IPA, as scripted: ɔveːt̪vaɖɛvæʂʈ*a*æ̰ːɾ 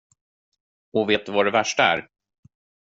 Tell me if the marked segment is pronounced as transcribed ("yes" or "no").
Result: yes